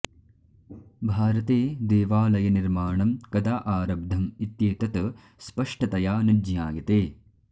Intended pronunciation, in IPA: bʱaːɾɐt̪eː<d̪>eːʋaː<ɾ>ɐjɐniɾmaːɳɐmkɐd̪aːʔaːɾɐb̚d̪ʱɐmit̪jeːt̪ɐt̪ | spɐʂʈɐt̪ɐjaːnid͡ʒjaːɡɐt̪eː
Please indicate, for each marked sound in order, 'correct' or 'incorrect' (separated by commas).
correct, incorrect